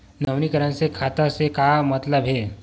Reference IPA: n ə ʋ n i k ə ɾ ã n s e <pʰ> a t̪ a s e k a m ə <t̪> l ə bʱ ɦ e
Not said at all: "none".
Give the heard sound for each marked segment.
kʰ, t̪

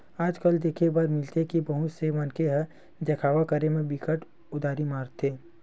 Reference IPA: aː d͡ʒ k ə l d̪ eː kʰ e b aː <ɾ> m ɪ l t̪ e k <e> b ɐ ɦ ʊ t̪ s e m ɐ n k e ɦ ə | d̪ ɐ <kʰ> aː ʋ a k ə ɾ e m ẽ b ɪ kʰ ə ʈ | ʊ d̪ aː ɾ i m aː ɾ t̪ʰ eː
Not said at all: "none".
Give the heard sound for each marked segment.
ɾ, i, kʰ

